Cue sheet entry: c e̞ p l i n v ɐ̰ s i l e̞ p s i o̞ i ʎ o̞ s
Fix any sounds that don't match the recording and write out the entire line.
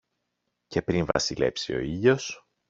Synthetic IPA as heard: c e̞ p ɾ i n v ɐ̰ s i l e̞ p s i o̞ i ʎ o̞ s